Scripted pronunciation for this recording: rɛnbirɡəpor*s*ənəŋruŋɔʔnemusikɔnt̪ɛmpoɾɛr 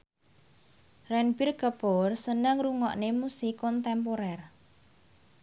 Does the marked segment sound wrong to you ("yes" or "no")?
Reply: no